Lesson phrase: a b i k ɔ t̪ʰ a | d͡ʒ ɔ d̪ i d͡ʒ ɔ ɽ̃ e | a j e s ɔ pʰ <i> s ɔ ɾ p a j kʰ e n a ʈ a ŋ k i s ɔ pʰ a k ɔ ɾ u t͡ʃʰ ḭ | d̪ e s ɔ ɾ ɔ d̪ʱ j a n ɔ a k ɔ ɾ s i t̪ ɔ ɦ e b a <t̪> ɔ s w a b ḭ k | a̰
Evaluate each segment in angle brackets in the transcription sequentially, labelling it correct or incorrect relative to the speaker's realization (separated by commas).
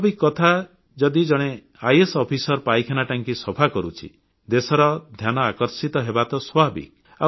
correct, correct